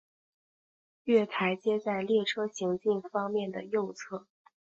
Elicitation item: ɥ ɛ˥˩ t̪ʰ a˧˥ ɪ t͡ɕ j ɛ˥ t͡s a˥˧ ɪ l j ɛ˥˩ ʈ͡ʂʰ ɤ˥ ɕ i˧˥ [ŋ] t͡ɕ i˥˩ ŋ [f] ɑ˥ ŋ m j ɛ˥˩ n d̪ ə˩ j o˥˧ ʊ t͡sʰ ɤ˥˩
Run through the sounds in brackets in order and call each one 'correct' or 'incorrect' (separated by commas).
correct, correct